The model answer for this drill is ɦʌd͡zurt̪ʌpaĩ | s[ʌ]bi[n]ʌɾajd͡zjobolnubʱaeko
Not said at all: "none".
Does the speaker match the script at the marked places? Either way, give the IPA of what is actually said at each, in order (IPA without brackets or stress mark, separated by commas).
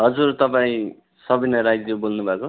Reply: ʌ, n